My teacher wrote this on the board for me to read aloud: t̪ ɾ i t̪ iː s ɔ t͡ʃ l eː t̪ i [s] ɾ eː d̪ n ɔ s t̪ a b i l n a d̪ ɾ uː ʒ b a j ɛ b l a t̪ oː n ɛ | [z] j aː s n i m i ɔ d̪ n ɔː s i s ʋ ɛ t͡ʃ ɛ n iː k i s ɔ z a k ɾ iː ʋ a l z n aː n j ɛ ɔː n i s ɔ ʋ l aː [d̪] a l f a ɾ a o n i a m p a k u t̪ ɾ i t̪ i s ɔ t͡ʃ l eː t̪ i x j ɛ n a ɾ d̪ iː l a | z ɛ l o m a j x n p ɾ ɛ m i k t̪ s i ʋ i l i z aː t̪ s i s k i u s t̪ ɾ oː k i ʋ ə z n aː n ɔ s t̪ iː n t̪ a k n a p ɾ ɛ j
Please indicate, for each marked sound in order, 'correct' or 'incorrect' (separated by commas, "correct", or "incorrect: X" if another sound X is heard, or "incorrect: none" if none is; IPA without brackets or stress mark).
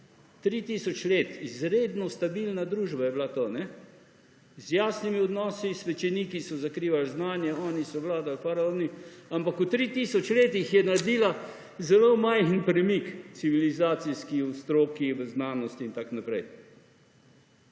incorrect: z, correct, correct